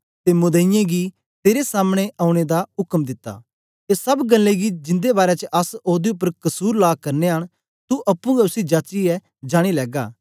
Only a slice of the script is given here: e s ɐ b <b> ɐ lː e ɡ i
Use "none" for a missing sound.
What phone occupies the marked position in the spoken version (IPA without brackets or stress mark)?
ɡ